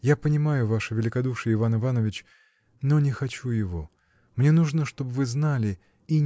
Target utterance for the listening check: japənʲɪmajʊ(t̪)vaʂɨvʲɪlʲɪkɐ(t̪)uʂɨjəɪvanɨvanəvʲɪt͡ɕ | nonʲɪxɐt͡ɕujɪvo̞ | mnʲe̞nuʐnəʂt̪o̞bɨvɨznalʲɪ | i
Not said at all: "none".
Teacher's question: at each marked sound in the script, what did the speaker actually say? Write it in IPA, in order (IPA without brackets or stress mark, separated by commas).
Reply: none, d̪